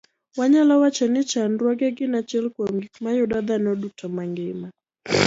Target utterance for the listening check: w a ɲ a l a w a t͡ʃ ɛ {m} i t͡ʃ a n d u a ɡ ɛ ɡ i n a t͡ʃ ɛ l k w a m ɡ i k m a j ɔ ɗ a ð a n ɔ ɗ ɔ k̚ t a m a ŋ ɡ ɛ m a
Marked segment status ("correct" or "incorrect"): incorrect